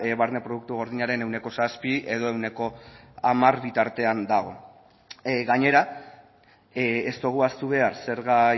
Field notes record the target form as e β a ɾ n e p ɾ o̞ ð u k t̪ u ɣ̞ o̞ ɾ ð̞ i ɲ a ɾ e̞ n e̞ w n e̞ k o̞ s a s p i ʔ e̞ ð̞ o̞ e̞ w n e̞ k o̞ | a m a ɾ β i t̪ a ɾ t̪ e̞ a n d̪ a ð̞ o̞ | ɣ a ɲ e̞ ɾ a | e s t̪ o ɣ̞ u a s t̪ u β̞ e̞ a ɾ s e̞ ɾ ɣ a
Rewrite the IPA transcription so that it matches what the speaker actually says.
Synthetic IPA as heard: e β a ɾ n e p ɾ o̞ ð u k t̪ u ɣ̞ o̞ ɾ ð̞ i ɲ a ɾ e̞ n e̞ w n e̞ k o̞ s a s p i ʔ e̞ ð̞ o̞ e̞ w n e̞ k o̞ | a m a ɾ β i t̪ a ɾ t̪ e̞ a n d̪ a ɣ̞ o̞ | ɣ a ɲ e̞ ɾ a | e s t̪ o ɣ̞ u a s t̪ u β̞ e̞ a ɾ s e̞ ɾ ɣ a

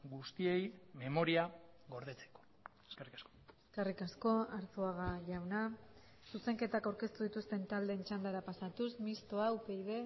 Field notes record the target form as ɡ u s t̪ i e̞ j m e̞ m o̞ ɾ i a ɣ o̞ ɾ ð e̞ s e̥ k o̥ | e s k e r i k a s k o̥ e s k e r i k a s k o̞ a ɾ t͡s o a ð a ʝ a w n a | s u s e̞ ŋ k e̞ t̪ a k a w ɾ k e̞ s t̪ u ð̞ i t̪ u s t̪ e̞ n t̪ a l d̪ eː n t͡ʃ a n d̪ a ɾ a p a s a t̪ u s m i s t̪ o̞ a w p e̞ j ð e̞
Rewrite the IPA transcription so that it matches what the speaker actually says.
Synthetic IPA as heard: ɡ u s t̪ i e̞ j m e̞ m o̞ ɾ i a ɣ o̞ ɾ ð e̞ t͡s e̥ k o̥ | e s k e r i k a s k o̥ e s k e r i k a s k o̞ a ɾ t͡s o a ɣ a ʝ a w n a | s u s e̞ ŋ k e̞ t̪ a k a w ɾ k e̞ s t̪ u ð̞ i t̪ u s t̪ e̞ n t̪ a l d̪ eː n t͡ʃ a n d̪ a ɾ a p a s a t̪ u s m i s t̪ o̞ a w p e̞ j ð e̞

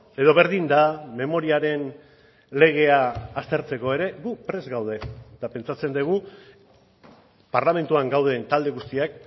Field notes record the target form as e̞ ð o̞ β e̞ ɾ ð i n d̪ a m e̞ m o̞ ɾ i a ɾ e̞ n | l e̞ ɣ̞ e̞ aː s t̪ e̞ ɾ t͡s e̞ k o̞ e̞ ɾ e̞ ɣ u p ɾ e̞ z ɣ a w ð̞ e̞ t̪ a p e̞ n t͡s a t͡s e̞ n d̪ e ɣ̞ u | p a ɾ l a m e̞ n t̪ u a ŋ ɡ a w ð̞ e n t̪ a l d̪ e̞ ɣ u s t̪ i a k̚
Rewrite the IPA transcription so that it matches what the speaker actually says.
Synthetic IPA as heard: e̞ ð o̞ β e̞ ɾ ð i n d̪ a m e̞ m o̞ ɾ i a ɾ e̞ n | l e̞ ɣ̞ e̞ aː s t̪ e̞ ɾ t͡s e̞ k o̞ e̞ ɾ e̞ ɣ u p ɾ e̞ z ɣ a w ð̞ e̞ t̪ a p e̞ n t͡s a t͡s e̞ n d̪ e ɣ̞ u | p a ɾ l a m e̞ n t̪ u a ŋ ɡ a w ð̞ e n t̪ a l d̪ e̞ ɣ u s t̪ i a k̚

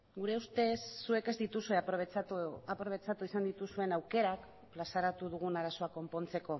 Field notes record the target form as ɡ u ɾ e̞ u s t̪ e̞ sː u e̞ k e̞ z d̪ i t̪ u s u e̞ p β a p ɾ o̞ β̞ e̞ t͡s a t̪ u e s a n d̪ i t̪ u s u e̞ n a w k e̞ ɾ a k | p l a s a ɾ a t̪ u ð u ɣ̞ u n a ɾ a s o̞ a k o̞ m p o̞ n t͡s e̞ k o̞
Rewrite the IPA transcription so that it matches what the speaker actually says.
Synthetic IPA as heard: ɡ u ɾ e̞ u s t̪ e̞ sː u e̞ k e̞ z d̪ i t̪ u s u e̞ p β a p ɾ o̞ β̞ e̞ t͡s a t̪ u i s a n d̪ i t̪ u s u e̞ n a w k e̞ ɾ a k | p l a s a ɾ a t̪ u ð u ɣ̞ u n a ɾ a s o̞ a k o̞ m p o̞ n t͡s e̞ k o̞

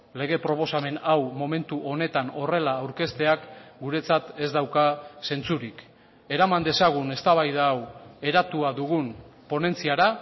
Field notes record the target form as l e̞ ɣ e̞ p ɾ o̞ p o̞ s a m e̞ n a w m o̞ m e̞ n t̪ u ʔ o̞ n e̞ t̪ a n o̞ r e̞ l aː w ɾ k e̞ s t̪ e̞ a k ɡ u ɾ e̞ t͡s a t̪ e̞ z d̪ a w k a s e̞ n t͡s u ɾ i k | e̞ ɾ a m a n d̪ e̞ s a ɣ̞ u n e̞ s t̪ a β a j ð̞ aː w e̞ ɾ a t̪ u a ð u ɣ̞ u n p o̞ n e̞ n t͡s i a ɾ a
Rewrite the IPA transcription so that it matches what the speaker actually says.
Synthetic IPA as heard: l e̞ ɣ e̞ p ɾ o̞ p o̞ s a m e̞ n a w m o̞ m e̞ n t̪ u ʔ o̞ n e̞ t̪ a n o̞ r e̞ l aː w ɾ k e̞ s t̪ e̞ a k ɡ u ɾ e̞ t͡s a t̪ e̞ z d̪ a w k a s e̞ n t͡s u ɾ i k | e̞ ɾ a m a n d̪ e̞ s a ɣ̞ u n e̞ s t̪ a β a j ð̞ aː w e̞ ɾ a t̪ u a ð u ɣ̞ u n p o̞ n e̞ n t͡s i a ɾ a

